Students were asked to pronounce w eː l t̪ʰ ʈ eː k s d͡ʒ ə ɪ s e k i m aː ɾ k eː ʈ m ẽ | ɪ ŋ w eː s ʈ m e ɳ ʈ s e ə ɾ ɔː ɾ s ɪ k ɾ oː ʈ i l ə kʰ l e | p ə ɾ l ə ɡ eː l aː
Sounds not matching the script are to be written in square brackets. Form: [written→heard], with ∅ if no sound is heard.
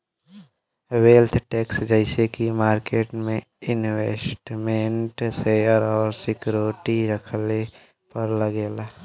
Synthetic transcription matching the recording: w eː l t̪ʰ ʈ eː k s d͡ʒ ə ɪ s e k i m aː ɾ k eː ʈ m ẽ | ɪ [ŋ→n] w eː s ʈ m e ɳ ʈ s e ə ɾ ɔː ɾ s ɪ k ɾ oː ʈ i [l→ɾ] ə kʰ l e | p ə ɾ l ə ɡ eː l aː